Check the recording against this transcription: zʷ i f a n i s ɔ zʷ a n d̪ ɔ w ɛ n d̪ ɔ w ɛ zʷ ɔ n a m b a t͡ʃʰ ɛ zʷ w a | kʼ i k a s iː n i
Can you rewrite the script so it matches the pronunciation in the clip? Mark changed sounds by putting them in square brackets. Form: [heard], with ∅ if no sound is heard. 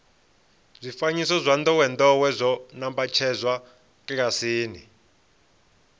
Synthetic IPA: zʷ i f a [ɲ] i s ɔ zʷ a n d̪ ɔ w ɛ n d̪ ɔ w ɛ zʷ ɔ n a m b a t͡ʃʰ ɛ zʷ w a | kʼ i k a s iː n i

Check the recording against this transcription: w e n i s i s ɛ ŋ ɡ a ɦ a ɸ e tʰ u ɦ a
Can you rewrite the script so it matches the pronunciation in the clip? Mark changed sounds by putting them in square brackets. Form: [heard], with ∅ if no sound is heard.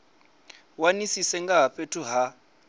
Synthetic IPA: w [a] n i s i s ɛ ŋ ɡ a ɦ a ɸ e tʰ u ɦ a

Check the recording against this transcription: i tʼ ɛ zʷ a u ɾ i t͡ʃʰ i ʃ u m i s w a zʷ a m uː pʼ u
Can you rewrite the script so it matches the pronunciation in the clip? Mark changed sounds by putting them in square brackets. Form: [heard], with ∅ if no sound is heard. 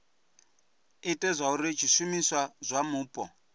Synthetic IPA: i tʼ ɛ zʷ a u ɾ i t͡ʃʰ i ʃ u m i s w a zʷ a m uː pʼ [ɔ]

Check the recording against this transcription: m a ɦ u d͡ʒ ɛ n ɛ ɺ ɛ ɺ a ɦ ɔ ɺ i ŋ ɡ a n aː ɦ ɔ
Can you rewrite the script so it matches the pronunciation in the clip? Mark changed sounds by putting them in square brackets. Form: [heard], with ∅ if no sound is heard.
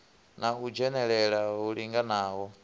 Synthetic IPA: [n] a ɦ u d͡ʒ ɛ n ɛ ɺ ɛ ɺ a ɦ [u] ɺ i ŋ ɡ a n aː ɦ ɔ

